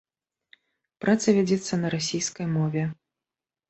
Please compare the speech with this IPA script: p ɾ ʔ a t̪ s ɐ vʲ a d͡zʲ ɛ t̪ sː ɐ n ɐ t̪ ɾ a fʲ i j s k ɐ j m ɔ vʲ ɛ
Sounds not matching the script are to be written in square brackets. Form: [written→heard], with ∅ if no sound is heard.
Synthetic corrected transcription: p ɾ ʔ a t̪ s ɐ vʲ a d͡zʲ ɛ t̪ sː ɐ n ɐ [t̪→∅] ɾ a [fʲ→sʲ] i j s k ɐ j m ɔ vʲ ɛ

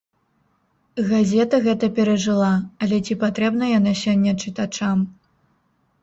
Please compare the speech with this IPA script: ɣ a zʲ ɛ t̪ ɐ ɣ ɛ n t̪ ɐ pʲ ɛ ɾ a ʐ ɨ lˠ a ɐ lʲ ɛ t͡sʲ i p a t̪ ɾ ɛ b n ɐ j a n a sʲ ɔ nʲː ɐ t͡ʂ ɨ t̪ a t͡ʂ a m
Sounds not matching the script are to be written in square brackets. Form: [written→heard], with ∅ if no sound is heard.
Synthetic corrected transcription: ɣ a zʲ ɛ t̪ ɐ ɣ ɛ [n→∅] t̪ ɐ pʲ ɛ ɾ [a→ɐ] ʐ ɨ lˠ a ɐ lʲ ɛ t͡sʲ i p a t̪ ɾ ɛ b n ɐ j a n a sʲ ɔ nʲː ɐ t͡ʂ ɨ t̪ a t͡ʂ a m

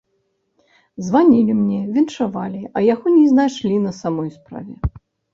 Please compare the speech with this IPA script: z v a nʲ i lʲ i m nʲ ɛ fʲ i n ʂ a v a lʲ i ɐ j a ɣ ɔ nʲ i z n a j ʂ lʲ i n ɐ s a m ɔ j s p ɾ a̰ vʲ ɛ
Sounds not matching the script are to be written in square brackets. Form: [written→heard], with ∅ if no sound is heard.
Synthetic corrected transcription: z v a nʲ i lʲ i m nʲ ɛ [fʲ→vʲ] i n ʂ a v a lʲ i ɐ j a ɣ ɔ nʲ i z n a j ʂ lʲ i n ɐ s a m ɔ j s p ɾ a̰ vʲ ɛ

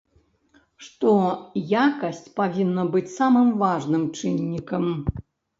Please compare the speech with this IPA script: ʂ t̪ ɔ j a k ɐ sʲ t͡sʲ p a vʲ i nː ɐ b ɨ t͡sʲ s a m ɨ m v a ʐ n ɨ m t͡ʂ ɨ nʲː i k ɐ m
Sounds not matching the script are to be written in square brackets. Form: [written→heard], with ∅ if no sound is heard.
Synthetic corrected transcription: ʂ t̪ ɔ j a k ɐ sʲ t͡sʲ p a vʲ i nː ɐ b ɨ t͡sʲ s a m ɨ m v a ʐ n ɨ m t͡ʂ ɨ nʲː i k ɐ m

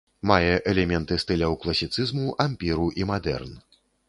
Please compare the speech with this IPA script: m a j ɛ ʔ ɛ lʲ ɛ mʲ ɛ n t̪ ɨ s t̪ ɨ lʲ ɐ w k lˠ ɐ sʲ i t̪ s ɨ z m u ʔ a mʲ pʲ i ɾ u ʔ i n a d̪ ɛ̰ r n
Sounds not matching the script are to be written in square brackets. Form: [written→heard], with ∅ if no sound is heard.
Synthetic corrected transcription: m a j ɛ ʔ ɛ lʲ ɛ mʲ ɛ n t̪ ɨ s t̪ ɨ lʲ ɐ w k lˠ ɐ sʲ i t̪ s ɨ z m u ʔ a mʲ pʲ i ɾ u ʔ i [n→m] a d̪ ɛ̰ r n

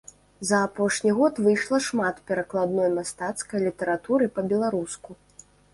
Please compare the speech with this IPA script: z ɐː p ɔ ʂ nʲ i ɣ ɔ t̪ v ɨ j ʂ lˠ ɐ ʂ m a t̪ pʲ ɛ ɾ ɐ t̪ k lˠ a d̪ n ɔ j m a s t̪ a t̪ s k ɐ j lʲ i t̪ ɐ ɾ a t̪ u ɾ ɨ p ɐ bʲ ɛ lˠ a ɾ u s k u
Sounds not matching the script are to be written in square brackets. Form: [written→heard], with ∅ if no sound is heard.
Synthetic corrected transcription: z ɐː p ɔ ʂ nʲ i ɣ ɔ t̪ v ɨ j ʂ lˠ ɐ ʂ m a t̪ pʲ ɛ ɾ ɐ [t̪→∅] k lˠ a d̪ n ɔ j m a s t̪ a t̪ s k ɐ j lʲ i t̪ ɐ ɾ a t̪ u ɾ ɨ p ɐ bʲ ɛ lˠ a ɾ u s k u

